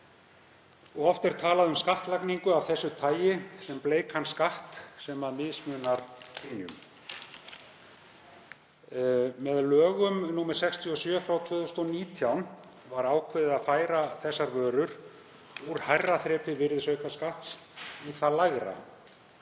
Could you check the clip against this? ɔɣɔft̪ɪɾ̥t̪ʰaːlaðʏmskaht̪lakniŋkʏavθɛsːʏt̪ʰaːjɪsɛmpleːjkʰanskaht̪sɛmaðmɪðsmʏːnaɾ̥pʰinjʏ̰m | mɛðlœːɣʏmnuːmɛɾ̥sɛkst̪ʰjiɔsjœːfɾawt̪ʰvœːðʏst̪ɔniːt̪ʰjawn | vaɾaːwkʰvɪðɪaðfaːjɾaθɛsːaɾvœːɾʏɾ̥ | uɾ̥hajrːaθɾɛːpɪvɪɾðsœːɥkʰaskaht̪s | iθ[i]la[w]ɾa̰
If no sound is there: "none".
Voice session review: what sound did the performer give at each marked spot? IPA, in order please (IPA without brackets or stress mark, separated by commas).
a, ɣ